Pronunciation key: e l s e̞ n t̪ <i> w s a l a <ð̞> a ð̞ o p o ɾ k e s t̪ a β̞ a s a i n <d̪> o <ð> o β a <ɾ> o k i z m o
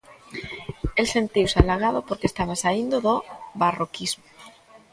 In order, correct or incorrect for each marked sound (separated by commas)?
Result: correct, incorrect, correct, correct, incorrect